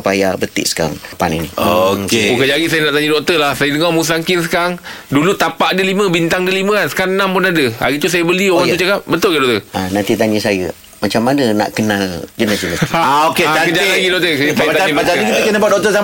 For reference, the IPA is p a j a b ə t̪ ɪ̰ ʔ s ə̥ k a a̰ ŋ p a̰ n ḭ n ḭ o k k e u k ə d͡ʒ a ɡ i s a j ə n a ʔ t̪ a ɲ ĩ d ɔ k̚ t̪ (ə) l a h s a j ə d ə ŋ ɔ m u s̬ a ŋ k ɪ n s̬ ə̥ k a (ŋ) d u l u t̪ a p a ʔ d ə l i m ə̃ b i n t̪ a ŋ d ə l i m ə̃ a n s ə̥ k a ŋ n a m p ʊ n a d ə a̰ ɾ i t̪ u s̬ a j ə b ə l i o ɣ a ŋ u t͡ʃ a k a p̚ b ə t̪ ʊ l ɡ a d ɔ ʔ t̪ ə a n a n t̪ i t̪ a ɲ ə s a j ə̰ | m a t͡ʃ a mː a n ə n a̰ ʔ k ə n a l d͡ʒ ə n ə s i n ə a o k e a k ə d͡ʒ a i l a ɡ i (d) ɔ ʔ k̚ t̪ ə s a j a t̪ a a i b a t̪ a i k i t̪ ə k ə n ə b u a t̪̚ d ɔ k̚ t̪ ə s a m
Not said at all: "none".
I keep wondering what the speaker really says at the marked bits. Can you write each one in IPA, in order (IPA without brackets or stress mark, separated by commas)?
ə, ŋ, d